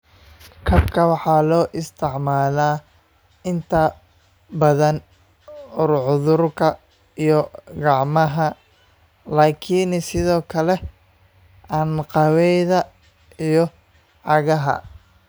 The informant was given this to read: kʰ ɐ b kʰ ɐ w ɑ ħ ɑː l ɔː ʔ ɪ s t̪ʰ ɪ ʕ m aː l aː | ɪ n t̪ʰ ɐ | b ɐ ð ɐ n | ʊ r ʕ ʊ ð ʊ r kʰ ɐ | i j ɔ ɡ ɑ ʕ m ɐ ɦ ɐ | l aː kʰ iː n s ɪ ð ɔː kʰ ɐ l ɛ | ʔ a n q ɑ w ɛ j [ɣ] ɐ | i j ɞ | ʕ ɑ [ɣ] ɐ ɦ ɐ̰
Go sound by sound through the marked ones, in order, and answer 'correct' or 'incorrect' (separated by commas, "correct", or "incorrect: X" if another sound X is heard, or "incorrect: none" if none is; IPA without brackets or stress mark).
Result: incorrect: ð, correct